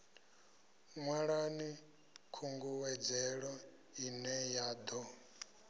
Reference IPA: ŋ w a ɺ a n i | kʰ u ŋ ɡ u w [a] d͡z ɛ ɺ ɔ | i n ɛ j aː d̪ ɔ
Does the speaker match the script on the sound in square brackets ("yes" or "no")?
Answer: no